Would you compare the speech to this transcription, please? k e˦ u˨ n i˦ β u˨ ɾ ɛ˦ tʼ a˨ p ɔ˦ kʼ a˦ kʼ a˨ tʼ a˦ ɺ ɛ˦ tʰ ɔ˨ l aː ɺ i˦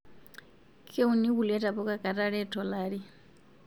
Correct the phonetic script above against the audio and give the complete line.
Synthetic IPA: kʰ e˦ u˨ n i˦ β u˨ l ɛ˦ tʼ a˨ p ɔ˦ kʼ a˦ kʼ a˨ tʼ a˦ ɺ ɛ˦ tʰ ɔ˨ l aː ɺ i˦